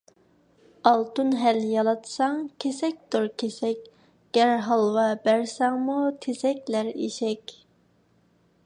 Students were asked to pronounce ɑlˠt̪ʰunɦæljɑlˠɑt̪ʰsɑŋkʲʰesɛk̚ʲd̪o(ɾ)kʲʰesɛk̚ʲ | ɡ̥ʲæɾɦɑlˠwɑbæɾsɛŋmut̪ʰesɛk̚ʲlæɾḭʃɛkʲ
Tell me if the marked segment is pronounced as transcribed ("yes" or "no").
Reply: yes